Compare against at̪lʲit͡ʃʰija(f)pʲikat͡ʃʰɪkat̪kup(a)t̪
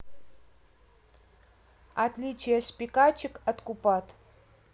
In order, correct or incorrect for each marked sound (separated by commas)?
incorrect, correct